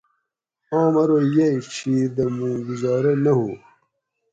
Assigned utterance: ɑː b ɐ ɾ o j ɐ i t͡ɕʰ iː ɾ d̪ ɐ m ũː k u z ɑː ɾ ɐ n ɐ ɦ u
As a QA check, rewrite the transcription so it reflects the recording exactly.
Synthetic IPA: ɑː m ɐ ɾ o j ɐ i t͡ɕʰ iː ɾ d̪ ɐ m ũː ɡ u z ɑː ɾ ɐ n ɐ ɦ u